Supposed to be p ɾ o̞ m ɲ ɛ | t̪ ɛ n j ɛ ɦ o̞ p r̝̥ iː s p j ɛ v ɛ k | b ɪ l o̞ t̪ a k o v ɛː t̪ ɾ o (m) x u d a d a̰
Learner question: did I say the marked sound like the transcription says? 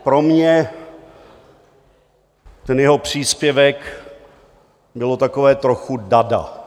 no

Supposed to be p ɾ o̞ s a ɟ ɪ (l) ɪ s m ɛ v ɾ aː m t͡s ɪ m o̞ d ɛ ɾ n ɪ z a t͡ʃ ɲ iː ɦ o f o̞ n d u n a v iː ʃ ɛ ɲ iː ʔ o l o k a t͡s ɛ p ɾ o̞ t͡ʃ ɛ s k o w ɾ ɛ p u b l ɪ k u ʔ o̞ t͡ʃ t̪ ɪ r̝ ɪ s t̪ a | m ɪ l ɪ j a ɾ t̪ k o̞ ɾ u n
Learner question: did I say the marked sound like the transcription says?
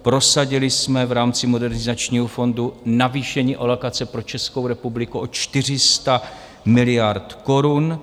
yes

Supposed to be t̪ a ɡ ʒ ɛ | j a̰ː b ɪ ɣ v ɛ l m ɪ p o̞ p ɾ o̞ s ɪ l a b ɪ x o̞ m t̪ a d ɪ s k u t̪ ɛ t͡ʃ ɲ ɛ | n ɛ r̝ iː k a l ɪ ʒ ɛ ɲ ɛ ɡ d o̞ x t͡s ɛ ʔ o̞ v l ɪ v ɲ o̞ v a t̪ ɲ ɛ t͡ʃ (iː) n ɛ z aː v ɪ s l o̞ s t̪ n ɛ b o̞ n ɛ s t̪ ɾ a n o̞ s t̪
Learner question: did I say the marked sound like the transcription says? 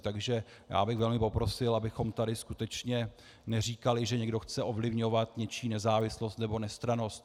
yes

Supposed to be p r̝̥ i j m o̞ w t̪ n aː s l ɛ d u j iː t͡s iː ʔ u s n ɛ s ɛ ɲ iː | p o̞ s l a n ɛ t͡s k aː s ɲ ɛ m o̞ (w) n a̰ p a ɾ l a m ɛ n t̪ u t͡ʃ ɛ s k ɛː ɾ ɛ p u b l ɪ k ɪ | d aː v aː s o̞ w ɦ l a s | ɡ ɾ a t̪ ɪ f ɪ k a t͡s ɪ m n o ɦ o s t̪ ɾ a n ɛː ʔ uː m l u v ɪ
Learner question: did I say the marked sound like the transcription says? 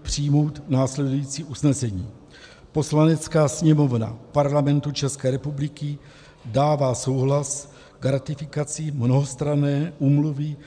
no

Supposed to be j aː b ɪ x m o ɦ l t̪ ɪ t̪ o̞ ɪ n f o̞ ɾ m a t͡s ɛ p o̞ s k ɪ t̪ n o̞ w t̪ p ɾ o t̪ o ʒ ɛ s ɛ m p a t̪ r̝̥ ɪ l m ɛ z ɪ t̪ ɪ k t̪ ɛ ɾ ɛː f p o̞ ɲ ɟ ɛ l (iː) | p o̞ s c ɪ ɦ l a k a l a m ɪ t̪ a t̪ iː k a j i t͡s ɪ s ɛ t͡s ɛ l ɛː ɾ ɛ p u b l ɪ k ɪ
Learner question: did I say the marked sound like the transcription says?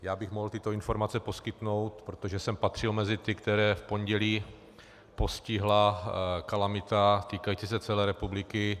yes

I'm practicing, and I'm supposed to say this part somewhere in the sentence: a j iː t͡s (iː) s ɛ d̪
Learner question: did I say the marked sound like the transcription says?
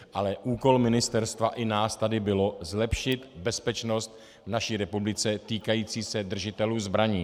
yes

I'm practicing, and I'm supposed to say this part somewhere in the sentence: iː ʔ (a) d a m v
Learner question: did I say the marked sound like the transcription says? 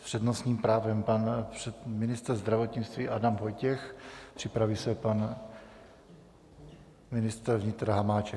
yes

